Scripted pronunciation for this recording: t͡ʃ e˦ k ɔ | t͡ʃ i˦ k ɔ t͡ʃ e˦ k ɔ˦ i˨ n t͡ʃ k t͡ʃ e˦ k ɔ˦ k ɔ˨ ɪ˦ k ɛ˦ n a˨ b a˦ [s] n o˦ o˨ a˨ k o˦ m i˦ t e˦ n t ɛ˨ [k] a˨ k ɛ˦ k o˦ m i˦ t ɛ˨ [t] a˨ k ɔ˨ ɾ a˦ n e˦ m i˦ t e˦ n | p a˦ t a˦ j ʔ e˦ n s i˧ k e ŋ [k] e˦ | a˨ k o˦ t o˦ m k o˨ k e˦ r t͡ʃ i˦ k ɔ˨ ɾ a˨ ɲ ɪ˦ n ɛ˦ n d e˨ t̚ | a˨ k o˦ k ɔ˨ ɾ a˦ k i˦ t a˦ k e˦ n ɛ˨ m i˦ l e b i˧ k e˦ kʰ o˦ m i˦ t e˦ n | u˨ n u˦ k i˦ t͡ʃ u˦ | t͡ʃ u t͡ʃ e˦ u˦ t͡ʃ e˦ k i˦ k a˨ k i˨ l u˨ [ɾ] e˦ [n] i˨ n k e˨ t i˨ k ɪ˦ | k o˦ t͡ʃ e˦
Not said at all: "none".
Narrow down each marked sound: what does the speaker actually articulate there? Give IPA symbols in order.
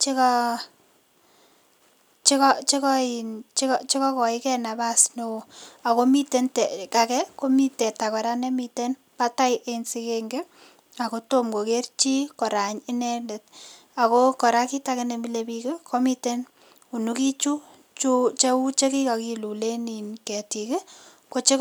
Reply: s, k, t, ɡ, l, n

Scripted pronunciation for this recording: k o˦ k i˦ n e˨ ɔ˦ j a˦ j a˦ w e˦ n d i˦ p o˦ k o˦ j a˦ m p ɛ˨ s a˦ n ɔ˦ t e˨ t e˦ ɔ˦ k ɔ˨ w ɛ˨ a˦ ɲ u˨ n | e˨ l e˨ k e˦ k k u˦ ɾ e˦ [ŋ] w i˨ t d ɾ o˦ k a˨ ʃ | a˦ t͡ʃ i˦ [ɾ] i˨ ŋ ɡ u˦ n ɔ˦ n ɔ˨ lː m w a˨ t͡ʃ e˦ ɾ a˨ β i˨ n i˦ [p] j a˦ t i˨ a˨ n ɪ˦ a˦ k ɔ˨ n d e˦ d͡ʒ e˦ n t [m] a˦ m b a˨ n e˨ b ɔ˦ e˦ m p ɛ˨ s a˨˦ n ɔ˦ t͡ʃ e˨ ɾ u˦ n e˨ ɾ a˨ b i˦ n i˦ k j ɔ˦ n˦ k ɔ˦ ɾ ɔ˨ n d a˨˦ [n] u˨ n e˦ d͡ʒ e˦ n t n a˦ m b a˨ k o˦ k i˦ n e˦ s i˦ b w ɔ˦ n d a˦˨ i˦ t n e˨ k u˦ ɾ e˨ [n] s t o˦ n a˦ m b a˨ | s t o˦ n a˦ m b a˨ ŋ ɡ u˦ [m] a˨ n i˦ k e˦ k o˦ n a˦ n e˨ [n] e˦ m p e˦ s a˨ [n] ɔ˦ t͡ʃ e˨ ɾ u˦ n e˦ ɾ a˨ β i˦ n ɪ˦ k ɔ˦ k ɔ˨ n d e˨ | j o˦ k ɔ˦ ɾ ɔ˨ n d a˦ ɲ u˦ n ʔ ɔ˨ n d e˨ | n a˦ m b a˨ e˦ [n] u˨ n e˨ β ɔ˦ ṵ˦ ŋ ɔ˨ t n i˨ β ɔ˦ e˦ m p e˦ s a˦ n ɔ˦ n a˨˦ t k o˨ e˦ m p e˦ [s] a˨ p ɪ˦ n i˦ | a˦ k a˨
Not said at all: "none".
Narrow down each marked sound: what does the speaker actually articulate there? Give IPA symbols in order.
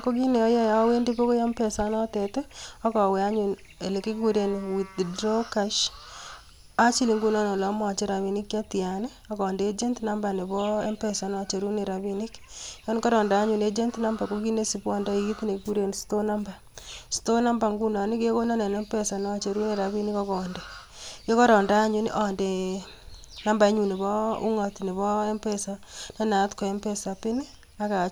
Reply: n, l, k, n, ɲ, n, n, n, n, ɲ, s

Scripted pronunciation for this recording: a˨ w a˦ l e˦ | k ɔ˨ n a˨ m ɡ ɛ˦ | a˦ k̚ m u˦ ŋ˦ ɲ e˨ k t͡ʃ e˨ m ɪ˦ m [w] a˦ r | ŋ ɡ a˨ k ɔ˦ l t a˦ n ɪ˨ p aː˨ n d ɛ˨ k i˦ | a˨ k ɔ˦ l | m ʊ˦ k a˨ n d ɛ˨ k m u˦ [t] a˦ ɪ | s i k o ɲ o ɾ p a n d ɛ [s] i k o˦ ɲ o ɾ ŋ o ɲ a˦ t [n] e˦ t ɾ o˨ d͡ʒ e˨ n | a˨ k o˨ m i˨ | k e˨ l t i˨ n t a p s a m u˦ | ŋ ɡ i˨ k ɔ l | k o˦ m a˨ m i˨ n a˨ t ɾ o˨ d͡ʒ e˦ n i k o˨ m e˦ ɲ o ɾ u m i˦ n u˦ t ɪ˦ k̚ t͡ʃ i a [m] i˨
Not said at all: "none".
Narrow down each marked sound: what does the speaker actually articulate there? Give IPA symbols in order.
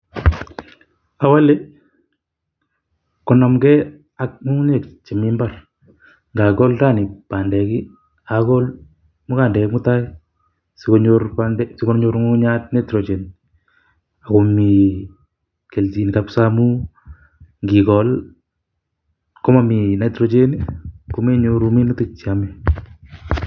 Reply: b, t, s, n, m

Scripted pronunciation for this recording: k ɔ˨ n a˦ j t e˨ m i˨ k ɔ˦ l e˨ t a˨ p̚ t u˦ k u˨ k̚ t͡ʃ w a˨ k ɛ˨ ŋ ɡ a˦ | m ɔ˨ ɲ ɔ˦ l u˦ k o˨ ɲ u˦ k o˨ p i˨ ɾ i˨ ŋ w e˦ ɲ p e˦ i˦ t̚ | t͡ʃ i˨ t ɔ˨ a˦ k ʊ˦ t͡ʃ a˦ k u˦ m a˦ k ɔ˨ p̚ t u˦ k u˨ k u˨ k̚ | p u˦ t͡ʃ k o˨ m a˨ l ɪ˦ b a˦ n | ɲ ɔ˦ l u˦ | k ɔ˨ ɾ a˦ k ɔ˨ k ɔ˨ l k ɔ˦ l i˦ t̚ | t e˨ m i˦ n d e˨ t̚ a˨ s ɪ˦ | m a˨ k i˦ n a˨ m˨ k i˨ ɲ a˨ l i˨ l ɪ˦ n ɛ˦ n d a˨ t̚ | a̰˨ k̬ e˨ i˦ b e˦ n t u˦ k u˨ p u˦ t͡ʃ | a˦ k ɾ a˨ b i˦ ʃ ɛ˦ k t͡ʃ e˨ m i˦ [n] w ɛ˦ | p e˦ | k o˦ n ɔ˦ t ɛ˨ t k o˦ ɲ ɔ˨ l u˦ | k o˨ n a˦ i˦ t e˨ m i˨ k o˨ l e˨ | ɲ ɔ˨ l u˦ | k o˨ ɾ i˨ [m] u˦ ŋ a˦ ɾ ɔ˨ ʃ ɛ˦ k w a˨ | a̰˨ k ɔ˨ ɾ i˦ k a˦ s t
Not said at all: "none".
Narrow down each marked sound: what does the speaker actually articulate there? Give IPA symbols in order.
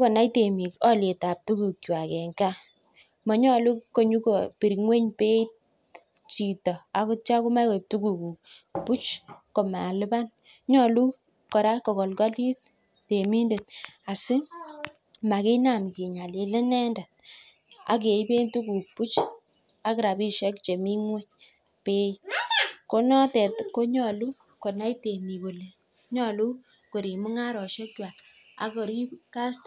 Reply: ŋ, m

